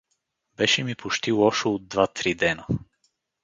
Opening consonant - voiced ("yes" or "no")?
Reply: yes